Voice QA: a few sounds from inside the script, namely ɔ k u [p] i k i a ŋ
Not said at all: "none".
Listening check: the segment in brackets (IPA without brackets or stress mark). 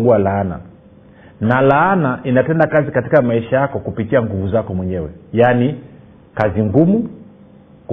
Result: p